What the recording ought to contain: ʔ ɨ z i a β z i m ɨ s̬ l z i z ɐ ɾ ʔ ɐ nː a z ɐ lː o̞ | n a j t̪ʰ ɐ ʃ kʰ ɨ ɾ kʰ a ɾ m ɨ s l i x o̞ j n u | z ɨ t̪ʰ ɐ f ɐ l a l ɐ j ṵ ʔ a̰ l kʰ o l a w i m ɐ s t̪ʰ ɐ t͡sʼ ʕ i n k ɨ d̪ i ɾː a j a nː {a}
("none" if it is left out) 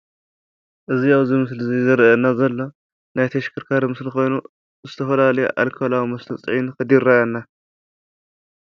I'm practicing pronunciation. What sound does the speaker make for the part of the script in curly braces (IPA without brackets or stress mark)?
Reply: a